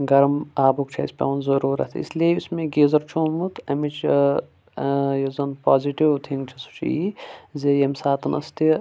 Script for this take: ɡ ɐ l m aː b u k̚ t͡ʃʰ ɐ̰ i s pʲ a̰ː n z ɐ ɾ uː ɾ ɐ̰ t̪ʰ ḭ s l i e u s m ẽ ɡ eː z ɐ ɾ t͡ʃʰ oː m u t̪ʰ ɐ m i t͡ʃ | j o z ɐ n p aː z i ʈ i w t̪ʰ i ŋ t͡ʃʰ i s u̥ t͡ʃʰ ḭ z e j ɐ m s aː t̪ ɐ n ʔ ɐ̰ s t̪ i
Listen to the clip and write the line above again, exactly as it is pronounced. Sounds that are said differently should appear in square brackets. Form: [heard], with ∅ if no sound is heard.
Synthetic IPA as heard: ɡ ɐ [ɾ] m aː b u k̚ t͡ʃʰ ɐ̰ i s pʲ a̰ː n z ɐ ɾ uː ɾ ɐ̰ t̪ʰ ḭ s l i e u s m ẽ ɡ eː z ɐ ɾ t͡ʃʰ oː m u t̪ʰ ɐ m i t͡ʃ | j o z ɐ n p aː z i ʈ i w t̪ʰ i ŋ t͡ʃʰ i s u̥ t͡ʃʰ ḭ z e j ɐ m s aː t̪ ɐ n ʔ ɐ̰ s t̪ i